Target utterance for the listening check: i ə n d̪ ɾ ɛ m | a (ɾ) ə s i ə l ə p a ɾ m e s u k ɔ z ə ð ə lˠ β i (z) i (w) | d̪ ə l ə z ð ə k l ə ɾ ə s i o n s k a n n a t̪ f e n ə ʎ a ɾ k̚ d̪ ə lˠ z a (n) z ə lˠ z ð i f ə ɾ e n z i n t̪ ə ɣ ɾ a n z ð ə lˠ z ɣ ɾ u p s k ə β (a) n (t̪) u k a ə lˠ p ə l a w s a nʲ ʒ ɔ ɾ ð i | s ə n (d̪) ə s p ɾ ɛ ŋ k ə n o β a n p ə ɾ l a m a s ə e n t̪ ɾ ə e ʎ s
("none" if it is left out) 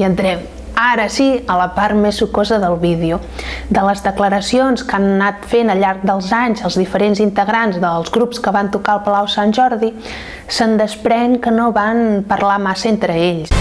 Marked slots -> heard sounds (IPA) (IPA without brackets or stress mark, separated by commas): ɾ, ð, u, ɲ, a, t̪, d̪